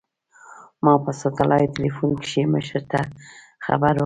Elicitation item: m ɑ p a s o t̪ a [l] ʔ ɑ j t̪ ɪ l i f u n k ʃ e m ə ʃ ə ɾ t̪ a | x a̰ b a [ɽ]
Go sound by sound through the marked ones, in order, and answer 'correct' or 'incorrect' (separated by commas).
correct, incorrect